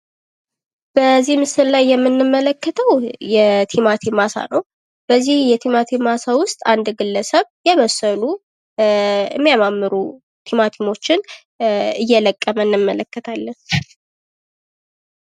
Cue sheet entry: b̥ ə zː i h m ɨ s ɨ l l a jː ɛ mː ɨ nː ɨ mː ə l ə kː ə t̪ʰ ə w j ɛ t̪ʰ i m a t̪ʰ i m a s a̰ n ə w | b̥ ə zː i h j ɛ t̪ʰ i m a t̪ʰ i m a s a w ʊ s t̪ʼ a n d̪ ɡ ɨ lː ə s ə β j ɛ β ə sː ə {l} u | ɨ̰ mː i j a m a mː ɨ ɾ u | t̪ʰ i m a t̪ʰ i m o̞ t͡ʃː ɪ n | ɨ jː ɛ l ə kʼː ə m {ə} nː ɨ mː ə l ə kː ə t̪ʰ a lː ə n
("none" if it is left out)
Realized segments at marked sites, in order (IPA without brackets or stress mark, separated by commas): l, ə